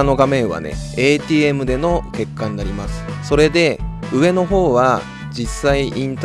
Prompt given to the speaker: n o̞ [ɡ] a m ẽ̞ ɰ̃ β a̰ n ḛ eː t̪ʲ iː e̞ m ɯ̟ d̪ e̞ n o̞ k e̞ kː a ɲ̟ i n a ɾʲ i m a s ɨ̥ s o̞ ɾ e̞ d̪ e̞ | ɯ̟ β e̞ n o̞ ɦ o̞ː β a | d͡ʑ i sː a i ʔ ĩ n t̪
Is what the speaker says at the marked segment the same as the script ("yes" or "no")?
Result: yes